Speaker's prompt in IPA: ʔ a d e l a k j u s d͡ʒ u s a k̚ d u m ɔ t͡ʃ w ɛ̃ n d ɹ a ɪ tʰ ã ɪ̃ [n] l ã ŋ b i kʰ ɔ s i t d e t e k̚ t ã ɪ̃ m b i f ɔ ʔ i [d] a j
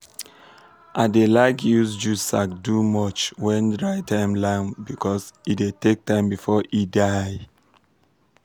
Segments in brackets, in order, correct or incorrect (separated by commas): incorrect, correct